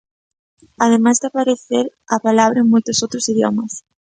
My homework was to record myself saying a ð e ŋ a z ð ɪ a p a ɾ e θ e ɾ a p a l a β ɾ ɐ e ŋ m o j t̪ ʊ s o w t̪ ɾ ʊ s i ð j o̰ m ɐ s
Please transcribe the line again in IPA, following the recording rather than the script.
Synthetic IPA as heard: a ð e m a z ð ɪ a p a ɾ e θ e ɾ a p a l a β ɾ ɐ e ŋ m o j t̪ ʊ s o w t̪ ɾ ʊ s i ð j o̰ m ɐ s